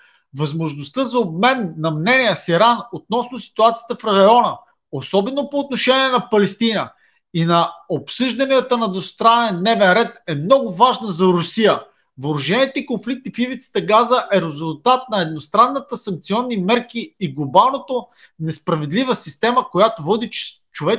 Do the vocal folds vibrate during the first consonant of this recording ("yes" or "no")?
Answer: yes